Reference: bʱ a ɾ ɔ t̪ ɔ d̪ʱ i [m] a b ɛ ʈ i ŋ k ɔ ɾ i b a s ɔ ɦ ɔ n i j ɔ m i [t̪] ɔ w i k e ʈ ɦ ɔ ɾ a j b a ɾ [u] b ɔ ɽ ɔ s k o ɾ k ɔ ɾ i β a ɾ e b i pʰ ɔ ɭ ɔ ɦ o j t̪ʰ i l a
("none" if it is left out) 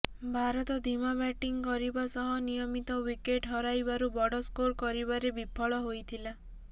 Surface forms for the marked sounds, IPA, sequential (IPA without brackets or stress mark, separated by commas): m, t̪, u